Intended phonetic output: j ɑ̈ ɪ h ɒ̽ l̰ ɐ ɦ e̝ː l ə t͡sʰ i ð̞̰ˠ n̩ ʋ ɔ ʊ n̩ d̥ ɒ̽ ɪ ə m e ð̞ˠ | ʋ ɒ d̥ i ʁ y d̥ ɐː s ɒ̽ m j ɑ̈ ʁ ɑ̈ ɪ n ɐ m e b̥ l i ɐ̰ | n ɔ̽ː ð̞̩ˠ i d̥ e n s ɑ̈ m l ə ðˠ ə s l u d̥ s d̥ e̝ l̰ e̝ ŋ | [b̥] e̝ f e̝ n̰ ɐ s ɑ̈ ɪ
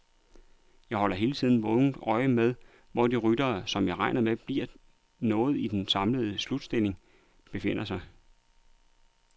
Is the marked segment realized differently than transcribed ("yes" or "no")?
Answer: no